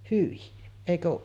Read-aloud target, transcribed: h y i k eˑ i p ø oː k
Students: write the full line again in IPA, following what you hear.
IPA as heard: h y i eˑ i k ø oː ʔ